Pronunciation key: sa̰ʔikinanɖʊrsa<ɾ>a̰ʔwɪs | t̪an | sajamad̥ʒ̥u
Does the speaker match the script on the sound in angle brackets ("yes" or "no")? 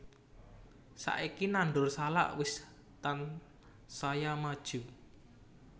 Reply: no